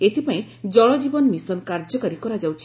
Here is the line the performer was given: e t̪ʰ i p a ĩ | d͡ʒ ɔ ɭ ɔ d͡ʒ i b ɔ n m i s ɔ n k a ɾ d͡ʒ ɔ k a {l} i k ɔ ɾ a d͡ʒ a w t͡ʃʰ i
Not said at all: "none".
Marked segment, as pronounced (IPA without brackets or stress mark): ɾ